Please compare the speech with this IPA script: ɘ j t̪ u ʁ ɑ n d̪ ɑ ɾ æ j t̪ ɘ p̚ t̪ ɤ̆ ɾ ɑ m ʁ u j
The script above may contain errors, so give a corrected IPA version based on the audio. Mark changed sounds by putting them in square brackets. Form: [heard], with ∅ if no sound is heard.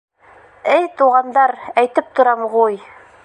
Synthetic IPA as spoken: ɘ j t̪ u ʁ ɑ n d̪ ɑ ɾ æ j t̪ ɘ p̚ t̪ [ŏ] ɾ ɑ m ʁ u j